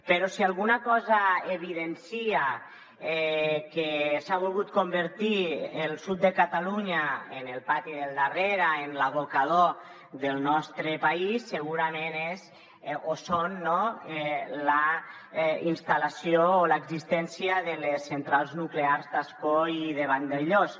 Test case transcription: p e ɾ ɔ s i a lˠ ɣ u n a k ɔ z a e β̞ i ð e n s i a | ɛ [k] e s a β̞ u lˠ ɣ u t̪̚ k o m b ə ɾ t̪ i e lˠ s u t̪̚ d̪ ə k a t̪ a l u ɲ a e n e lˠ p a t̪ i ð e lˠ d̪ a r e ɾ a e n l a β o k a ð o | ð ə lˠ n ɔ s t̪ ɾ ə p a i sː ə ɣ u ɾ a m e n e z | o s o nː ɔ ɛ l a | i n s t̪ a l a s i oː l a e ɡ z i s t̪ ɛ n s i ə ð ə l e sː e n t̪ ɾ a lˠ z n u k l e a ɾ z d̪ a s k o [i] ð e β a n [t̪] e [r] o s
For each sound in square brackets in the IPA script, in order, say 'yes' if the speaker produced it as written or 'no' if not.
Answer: yes, yes, no, no

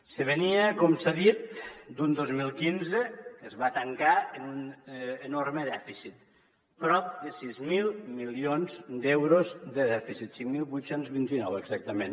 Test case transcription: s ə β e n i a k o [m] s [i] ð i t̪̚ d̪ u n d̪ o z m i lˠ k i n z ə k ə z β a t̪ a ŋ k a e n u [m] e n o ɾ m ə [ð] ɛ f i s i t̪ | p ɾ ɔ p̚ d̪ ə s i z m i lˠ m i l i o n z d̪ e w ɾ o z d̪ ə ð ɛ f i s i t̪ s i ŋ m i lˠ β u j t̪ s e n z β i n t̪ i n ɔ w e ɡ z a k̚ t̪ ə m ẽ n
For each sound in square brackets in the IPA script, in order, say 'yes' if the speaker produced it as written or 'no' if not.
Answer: yes, no, no, yes

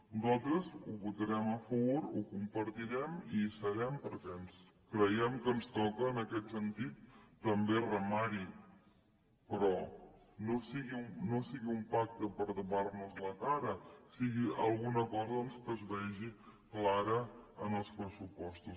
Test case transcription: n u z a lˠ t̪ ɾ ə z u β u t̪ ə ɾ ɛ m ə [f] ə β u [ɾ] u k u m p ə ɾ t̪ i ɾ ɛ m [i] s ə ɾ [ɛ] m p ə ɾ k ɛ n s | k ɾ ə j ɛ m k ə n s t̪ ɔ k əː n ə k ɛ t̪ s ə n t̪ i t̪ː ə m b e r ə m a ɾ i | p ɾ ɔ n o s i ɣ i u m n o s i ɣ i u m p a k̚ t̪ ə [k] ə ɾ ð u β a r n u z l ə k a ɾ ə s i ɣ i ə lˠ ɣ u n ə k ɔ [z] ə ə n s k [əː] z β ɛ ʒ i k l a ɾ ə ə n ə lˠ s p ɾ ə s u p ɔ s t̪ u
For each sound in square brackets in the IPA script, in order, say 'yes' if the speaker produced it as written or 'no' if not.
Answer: yes, yes, yes, yes, no, yes, no

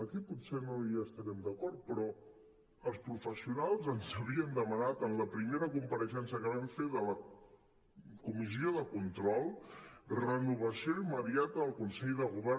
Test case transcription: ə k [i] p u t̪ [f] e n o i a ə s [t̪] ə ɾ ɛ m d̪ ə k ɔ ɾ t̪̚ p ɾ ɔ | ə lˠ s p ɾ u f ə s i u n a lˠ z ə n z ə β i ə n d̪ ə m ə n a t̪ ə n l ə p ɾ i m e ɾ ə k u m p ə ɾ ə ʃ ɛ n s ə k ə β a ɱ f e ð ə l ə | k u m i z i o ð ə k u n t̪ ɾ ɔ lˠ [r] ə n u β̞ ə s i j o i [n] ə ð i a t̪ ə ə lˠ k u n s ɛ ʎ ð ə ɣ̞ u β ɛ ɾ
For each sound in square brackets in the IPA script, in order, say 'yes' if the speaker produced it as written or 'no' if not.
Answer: yes, no, yes, yes, no

